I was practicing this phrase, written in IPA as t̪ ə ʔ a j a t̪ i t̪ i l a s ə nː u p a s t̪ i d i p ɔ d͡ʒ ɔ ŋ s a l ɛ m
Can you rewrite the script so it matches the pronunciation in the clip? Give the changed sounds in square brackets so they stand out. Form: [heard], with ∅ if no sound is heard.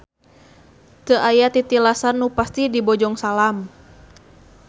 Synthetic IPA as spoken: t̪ ə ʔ a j a t̪ i t̪ i l a s [a] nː u p a s t̪ i d i [b] ɔ d͡ʒ ɔ ŋ s a l [a] m